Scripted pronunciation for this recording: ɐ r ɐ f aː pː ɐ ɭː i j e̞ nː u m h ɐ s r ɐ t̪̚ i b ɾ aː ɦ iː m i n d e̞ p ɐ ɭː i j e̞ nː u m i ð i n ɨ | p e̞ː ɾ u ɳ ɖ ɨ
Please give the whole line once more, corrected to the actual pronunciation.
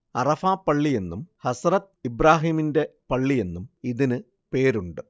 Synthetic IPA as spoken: ɐ r ɐ f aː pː ɐ ɭː i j e̞ nː u m h ɐ s r ɐ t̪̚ i b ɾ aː ɦ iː m i n d e̞ p ɐ ɭː i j e̞ nː u m i ð i n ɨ | p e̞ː ɾ u ɳ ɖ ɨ